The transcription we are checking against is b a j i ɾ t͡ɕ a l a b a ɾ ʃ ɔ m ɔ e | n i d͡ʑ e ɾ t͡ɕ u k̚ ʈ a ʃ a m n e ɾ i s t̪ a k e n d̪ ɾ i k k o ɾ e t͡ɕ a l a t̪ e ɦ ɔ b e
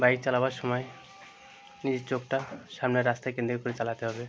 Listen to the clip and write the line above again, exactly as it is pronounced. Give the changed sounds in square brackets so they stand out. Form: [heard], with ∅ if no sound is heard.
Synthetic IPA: b a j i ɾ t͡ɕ a l a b a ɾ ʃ ɔ m ɔ e | n i d͡ʑ e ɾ t͡ɕ [o] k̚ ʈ a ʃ a m n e ɾ [a] s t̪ a k e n d̪ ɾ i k k o ɾ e t͡ɕ a l a t̪ e ɦ ɔ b e